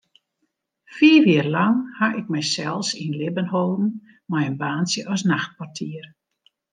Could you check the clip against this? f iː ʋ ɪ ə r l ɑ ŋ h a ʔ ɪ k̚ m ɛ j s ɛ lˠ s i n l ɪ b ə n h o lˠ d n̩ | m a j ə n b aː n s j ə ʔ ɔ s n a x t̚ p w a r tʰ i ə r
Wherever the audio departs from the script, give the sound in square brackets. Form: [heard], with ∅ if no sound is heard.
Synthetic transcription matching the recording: f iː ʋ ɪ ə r l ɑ ŋ h a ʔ ɪ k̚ m ɛ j s ɛ lˠ s i n l ɪ b ə n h o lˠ d n̩ | m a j ə n b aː n s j ə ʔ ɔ s n a x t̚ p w a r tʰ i ə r